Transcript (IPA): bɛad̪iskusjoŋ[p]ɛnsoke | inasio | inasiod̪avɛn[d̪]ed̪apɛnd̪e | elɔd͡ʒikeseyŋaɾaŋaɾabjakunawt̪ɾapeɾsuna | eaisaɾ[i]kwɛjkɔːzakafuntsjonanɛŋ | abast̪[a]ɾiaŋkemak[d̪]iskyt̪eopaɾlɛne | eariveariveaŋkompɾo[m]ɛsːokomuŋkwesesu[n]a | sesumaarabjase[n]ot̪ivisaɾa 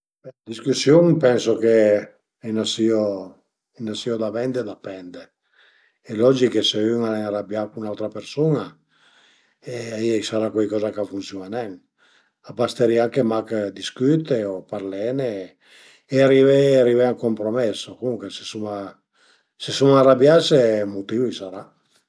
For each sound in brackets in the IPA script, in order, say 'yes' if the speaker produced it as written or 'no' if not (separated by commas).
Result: yes, yes, no, no, yes, yes, no, no